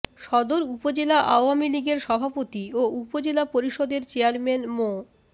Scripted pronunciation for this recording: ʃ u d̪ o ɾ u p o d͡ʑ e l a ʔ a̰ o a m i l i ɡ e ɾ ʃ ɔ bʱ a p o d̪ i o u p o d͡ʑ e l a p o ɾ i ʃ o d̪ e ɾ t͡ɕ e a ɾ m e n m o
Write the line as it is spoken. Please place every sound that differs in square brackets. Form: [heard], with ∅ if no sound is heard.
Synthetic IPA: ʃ [ɔ] d̪ o ɾ u p o d͡ʑ e l a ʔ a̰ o a m i l i ɡ e ɾ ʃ ɔ bʱ a p o [t̪] i o u p o d͡ʑ e l a p o ɾ i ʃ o d̪ e ɾ t͡ɕ e a ɾ m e n m o